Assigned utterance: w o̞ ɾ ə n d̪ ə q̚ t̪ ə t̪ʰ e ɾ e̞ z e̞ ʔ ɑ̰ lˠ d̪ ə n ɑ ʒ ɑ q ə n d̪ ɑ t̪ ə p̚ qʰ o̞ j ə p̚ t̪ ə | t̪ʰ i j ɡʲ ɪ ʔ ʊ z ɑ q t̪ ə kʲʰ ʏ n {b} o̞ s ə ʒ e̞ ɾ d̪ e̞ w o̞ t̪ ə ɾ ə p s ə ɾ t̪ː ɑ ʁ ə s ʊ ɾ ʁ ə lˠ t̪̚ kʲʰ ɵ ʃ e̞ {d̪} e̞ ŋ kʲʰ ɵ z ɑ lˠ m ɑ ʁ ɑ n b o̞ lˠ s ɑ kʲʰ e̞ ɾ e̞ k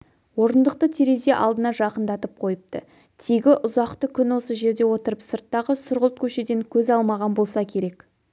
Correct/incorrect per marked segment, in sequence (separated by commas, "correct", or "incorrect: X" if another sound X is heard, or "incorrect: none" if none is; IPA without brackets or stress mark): incorrect: w, correct